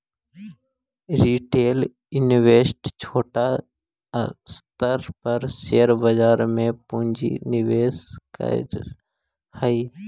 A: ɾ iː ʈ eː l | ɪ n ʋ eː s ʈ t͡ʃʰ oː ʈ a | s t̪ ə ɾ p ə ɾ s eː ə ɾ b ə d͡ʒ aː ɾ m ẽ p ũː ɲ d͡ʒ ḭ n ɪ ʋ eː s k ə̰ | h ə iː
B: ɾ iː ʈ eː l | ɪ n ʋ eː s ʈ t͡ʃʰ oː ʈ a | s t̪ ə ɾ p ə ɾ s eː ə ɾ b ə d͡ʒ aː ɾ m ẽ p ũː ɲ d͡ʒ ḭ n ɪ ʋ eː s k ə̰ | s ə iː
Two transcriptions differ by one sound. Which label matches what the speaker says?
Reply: A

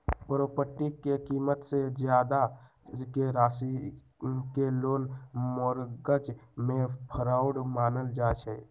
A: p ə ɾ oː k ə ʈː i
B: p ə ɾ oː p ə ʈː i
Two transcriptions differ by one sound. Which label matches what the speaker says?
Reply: B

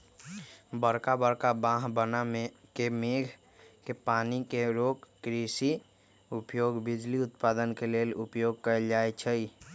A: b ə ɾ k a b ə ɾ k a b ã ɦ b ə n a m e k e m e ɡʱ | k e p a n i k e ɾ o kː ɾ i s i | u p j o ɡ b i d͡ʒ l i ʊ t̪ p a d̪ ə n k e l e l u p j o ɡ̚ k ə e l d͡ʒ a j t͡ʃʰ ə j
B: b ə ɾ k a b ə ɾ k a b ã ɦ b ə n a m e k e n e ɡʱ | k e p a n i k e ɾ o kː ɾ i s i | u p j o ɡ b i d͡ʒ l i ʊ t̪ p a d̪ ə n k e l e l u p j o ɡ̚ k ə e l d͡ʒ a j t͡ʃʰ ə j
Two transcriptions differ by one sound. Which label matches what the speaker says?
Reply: A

